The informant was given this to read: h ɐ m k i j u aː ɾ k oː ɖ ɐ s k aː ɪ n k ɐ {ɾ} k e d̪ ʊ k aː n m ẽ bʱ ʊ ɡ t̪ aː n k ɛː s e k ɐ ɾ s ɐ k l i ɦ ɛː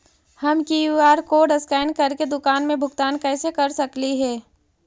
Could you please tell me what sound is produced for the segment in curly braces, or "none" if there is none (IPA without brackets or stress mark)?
ɾ